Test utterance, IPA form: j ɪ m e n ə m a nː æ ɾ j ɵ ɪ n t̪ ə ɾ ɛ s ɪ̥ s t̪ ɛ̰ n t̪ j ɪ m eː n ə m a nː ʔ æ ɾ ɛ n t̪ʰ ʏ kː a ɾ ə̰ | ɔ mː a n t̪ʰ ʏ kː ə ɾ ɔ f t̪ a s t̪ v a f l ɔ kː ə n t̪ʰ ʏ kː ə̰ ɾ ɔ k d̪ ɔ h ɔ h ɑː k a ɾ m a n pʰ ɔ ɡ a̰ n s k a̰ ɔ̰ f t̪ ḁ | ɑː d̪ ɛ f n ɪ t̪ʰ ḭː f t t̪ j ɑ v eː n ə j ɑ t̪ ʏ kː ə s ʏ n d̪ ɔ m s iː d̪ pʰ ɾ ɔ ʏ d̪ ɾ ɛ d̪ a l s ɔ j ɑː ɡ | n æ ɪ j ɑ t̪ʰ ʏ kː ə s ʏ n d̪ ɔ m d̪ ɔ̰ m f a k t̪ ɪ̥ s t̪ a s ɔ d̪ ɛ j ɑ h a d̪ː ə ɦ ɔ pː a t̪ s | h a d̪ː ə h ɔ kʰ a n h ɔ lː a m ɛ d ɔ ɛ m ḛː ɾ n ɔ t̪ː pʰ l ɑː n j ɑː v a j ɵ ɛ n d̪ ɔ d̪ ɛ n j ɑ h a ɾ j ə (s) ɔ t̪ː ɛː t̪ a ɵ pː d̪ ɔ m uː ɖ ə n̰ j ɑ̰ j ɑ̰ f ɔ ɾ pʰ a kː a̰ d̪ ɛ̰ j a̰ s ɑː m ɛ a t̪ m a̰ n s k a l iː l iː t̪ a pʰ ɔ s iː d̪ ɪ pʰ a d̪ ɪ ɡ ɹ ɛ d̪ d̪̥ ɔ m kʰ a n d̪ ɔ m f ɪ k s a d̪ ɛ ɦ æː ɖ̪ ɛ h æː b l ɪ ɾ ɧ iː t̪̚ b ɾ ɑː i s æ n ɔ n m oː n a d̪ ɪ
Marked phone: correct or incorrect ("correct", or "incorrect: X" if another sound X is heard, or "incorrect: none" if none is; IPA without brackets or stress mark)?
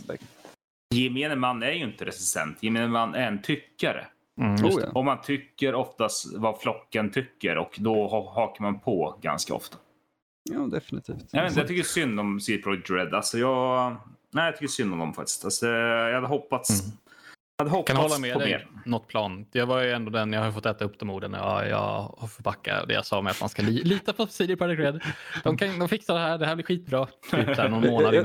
incorrect: f